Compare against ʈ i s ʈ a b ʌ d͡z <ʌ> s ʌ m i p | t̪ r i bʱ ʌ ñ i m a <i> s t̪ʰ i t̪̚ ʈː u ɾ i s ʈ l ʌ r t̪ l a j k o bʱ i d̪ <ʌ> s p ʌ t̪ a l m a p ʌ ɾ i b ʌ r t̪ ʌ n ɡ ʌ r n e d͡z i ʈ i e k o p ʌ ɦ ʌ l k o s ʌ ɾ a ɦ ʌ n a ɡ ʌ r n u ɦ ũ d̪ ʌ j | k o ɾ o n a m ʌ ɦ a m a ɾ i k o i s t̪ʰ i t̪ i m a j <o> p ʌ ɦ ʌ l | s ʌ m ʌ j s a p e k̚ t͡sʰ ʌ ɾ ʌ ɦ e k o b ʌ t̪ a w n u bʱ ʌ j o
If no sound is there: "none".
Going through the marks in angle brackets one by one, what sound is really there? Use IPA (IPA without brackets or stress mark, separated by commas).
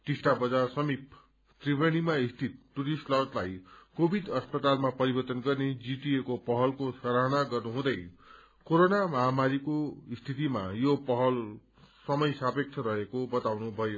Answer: a, i, ʌ, o